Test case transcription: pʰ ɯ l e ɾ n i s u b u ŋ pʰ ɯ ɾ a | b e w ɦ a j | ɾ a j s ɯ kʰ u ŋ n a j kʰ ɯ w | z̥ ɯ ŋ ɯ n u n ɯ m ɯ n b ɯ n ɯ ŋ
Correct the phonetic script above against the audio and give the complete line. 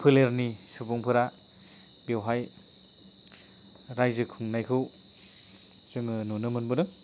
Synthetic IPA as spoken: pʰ ɯ l e ɾ n i s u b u ŋ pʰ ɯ ɾ a | b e w ɦ a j | ɾ a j z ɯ kʰ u ŋ n a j kʰ ɯ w | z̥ ɯ ŋ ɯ n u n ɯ m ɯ n b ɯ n ɯ ŋ

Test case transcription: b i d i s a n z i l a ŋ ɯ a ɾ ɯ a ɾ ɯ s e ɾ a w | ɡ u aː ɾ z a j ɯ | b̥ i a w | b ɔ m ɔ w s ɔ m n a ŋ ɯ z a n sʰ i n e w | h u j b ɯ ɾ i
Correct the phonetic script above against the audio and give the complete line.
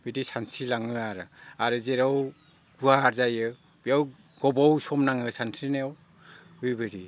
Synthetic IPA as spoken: b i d i s a n s i l a ŋ ɯ a ɾ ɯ a ɾ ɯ z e ɾ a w | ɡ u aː ɾ z a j ɯ | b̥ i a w | ɡ ɔ b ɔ w s ɔ m n a ŋ ɯ s a n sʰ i n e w | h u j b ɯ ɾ i

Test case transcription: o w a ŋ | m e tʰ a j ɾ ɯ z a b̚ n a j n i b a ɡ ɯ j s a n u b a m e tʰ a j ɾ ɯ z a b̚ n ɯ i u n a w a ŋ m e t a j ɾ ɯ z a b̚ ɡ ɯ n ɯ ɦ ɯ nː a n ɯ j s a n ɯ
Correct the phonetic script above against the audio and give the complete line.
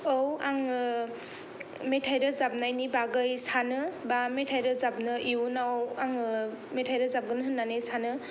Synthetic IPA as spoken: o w a ŋ | m e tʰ a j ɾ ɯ z a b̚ n a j n i b a ɡ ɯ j s a n ɯ b a m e tʰ a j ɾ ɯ z a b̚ n ɯ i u n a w a ŋ m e tʰ a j ɾ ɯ z a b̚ ɡ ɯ n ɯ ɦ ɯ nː a n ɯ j s a n ɯ

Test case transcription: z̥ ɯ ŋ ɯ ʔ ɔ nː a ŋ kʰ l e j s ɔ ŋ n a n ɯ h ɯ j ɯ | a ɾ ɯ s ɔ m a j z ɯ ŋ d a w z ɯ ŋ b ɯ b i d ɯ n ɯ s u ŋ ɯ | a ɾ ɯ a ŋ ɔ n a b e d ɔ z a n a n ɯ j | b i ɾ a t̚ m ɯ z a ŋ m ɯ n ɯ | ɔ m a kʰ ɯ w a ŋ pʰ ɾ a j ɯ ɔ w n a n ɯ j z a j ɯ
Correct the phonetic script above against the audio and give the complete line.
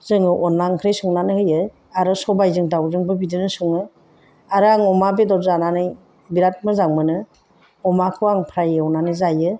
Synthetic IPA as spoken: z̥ ɯ ŋ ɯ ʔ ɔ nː a ŋ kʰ ɾ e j s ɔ ŋ n a n ɯ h ɯ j ɯ | a ɾ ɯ s ɔ b a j z ɯ ŋ d a w z ɯ ŋ b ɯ b i d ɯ n ɯ s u ŋ ɯ | a ɾ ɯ a ŋ ɔ m a b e d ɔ z a n a n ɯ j | b i ɾ a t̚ m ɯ z a ŋ m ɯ n ɯ | ɔ m a kʰ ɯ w a ŋ pʰ ɾ a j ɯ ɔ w n a n ɯ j z a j ɯ

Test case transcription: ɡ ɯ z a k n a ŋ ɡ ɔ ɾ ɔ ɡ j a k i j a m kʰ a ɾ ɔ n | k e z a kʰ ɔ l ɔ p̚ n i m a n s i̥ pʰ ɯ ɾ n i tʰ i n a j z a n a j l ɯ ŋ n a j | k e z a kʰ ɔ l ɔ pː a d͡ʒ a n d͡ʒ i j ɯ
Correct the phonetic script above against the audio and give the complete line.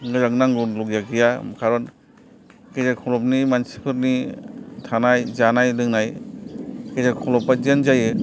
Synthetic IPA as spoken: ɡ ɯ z a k n a ŋ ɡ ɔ l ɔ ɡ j a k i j a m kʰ a ɾ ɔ n | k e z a kʰ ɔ l ɔ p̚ n i m a n s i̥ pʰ ɯ ɾ n i tʰ a n a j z a n a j l ɯ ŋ n a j | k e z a kʰ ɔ l ɔ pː a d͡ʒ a n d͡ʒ a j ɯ

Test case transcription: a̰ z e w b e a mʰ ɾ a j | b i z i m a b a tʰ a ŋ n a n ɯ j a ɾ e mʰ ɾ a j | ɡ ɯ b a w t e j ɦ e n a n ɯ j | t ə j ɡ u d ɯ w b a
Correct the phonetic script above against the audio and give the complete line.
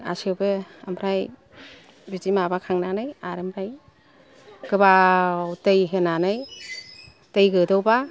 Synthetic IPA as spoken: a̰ s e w b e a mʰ ɾ a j | b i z i m a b a kʰ a ŋ n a n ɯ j a ɾ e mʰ ɾ a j | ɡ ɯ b a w t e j ɦ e n a n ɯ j | t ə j ɡ ɯ d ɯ w b a

